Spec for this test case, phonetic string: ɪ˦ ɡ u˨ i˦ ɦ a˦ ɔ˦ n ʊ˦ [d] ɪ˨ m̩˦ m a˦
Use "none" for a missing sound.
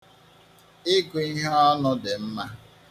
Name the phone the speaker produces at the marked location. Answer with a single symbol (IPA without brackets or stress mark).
d